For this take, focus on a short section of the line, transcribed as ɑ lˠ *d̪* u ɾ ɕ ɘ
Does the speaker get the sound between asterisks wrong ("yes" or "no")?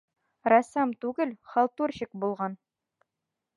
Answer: yes